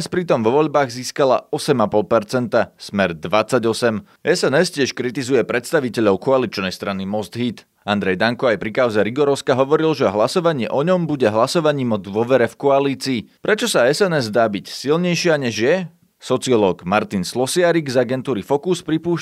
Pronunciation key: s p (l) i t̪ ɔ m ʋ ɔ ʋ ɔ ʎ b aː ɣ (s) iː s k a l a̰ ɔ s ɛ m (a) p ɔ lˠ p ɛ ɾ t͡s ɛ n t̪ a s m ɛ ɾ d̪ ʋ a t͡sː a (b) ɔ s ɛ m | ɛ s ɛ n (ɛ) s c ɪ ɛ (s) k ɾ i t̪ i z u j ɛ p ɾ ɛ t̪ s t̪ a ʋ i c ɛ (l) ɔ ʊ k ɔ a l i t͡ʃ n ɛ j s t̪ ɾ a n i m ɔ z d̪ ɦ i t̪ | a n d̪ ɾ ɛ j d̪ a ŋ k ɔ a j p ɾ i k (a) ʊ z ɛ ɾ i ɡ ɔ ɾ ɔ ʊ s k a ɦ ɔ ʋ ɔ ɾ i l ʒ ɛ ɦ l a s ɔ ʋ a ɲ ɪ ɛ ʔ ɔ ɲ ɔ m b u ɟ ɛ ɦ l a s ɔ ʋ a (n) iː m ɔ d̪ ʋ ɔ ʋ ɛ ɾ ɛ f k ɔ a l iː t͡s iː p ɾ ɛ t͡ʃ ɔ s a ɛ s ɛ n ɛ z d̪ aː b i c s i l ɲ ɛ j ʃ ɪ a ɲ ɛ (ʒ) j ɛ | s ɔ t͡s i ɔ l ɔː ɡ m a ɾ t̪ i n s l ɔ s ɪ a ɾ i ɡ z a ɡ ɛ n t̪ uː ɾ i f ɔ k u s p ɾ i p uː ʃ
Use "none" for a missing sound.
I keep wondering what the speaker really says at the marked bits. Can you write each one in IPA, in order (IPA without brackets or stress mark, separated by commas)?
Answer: ɾ, z, a, ɟ, ɛ, ʃ, ʎ, a, ɲ, ʒ